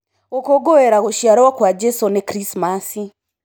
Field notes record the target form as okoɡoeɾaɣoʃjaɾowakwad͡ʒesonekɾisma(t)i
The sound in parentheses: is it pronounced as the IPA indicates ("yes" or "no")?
no